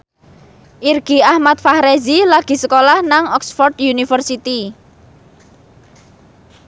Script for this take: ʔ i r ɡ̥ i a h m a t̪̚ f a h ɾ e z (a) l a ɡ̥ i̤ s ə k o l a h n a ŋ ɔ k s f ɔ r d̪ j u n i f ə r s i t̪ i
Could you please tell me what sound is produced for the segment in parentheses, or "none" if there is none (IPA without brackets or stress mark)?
i